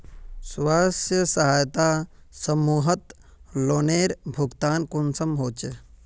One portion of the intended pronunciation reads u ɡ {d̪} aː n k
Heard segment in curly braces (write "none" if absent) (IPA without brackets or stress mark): t̪